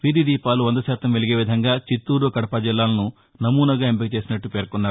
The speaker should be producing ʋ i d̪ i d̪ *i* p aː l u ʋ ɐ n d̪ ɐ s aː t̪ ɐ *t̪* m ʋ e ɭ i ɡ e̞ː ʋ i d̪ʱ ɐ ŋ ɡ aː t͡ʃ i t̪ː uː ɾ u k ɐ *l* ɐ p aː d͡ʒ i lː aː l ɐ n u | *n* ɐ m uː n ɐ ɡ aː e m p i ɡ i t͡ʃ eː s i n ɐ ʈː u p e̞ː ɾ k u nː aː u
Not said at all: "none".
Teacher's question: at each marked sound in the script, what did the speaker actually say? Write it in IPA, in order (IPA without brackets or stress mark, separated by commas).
iː, none, ɽ, n